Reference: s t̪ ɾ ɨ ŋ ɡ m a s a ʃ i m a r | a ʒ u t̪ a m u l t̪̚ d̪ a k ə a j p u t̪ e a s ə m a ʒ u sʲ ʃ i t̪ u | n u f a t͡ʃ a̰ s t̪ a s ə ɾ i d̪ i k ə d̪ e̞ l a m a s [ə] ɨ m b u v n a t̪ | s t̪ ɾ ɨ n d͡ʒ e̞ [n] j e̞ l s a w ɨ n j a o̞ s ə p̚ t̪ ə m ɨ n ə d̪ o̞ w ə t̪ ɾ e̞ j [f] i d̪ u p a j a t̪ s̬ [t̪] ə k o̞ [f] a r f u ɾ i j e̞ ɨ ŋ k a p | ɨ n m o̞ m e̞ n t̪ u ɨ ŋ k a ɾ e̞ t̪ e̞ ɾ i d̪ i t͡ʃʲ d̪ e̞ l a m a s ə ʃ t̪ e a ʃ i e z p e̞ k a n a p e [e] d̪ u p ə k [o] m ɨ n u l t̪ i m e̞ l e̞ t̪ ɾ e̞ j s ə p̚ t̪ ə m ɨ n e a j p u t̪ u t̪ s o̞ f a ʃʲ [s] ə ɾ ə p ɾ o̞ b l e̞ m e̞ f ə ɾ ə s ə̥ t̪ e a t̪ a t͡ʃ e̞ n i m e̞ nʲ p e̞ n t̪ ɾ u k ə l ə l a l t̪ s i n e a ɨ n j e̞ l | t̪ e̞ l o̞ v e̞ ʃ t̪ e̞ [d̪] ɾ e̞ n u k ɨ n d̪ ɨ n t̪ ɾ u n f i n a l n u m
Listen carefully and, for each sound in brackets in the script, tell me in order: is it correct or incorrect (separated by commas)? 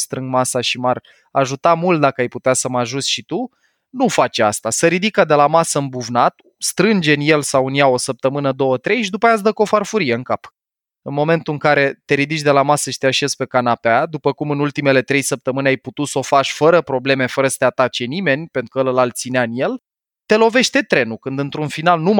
correct, correct, incorrect, incorrect, correct, incorrect, incorrect, incorrect, incorrect